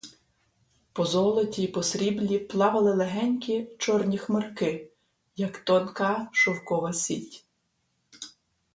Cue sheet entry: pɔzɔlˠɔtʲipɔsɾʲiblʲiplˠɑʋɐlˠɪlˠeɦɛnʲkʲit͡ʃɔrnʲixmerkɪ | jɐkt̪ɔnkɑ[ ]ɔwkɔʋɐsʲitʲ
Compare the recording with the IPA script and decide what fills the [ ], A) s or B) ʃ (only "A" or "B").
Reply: B